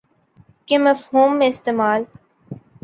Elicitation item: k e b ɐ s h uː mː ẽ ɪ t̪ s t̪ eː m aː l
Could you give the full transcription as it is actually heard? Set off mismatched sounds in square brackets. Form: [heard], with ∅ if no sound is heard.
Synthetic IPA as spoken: k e [m] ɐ [f] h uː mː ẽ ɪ [∅] s t̪ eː m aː l